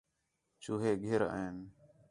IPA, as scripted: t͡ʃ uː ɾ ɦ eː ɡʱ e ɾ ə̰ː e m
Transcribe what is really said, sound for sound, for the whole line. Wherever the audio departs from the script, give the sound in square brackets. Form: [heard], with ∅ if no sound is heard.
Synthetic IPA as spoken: t͡ʃ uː [∅] ɦ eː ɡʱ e ɾ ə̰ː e [n]

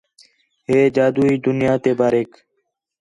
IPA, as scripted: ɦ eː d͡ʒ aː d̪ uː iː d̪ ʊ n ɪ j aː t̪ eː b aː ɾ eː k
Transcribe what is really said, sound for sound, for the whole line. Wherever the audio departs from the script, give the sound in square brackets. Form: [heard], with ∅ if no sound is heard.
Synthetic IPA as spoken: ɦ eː d͡ʒ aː d̪ uː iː d̪ ʊ n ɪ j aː t̪ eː b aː ɾ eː k

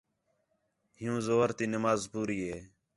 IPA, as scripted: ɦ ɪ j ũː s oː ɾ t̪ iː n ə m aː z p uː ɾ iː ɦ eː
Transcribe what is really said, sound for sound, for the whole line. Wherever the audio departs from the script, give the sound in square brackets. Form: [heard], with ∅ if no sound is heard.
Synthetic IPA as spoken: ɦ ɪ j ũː [z] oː ɾ t̪ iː n ə m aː z p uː ɾ iː ɦ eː

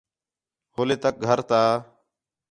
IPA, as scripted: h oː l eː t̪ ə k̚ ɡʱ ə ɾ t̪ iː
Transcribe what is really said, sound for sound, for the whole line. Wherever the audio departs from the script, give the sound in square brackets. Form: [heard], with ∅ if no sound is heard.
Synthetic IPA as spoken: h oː l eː t̪ ə k̚ ɡʱ ə ɾ t̪ [aː]

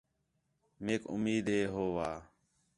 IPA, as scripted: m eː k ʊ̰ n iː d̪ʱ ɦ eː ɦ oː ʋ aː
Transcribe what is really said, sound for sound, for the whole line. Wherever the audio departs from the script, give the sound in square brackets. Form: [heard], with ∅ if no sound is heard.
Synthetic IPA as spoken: m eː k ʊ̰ [m] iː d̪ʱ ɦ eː ɦ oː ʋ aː

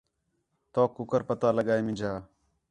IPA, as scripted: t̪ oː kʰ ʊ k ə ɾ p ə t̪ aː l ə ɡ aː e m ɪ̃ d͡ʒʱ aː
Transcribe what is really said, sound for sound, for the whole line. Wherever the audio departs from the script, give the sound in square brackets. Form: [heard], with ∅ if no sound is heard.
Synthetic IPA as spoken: t̪ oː [k] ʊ k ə ɾ p ə t̪ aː l ə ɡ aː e m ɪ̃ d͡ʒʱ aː

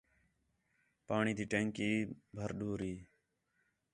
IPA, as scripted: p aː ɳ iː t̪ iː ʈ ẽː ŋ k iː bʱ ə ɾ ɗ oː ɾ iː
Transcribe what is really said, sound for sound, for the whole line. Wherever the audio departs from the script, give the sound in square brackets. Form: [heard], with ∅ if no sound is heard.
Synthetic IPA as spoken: p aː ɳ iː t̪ iː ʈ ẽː ŋ k iː bʱ ə ɾ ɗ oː ɾ iː

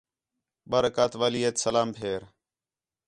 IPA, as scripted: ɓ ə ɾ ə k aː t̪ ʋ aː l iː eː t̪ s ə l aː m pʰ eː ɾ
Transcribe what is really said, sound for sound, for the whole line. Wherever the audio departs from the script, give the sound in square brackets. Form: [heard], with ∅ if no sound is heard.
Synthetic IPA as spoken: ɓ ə ɾ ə k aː t̪ ʋ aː l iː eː t̪ s ə l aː m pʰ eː ɾ

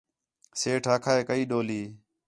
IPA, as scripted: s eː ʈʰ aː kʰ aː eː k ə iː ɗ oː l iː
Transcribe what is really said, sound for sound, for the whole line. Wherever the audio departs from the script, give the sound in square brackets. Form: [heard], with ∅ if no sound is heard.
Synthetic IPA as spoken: s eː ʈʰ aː kʰ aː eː k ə iː ɗ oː l iː

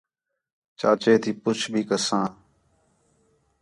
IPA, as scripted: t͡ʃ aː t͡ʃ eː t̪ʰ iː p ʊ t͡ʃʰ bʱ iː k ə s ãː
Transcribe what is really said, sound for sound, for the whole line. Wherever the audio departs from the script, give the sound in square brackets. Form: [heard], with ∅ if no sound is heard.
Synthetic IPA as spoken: t͡ʃ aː t͡ʃ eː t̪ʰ iː p ʊ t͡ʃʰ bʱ iː k ə s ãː

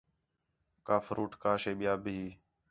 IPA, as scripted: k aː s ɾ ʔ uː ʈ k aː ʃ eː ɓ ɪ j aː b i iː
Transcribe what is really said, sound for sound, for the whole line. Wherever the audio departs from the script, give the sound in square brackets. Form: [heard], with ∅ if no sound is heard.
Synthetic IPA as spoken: k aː [f] ɾ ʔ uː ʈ k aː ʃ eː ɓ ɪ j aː b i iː

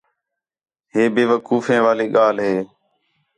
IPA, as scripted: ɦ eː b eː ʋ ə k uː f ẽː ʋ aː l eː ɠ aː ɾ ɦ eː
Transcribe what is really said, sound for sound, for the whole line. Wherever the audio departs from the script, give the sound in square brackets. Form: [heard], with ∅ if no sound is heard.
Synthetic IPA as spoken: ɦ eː b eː ʋ ə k uː f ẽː ʋ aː l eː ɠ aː [l] ɦ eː

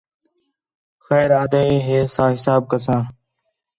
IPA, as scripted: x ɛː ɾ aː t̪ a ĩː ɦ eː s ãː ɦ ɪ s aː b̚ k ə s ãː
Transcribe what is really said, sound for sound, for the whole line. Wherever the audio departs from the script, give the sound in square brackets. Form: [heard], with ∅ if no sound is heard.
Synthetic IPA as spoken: x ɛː ɾ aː [d̪] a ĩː ɦ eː s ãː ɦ ɪ s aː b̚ k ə s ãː

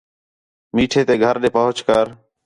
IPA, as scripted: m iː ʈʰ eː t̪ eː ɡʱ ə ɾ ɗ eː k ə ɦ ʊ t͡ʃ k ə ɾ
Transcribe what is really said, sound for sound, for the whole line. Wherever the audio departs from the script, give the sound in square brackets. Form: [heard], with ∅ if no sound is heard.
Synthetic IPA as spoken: m iː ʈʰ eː t̪ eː ɡʱ ə ɾ ɗ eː [p] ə ɦ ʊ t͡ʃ k ə ɾ

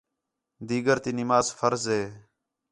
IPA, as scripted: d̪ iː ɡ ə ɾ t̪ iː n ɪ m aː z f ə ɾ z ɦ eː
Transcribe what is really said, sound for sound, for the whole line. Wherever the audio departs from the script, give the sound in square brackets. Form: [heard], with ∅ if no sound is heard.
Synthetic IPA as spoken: d̪ iː ɡ ə ɾ t̪ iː n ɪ m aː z f ə ɾ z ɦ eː

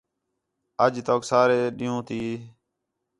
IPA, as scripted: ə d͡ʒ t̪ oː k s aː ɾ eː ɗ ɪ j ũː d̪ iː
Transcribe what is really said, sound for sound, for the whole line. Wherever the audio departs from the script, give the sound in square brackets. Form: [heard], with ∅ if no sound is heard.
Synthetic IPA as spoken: ə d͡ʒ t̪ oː k s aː ɾ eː ɗ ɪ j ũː [t̪] iː

